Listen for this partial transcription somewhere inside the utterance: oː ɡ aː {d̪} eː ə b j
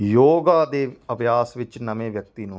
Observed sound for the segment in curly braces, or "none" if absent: d̪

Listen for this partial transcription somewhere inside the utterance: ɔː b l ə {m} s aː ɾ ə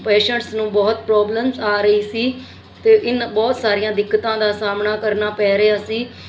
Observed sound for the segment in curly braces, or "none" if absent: m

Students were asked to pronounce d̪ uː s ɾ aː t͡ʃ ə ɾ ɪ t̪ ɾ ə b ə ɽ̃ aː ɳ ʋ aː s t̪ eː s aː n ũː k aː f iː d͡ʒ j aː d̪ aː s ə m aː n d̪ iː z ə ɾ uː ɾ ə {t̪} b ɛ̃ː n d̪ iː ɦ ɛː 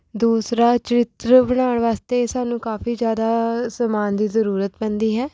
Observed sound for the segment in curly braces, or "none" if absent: t̪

